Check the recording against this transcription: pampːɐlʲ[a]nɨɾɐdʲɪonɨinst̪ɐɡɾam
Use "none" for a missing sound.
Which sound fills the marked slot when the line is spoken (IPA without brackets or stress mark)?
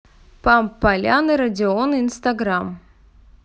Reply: a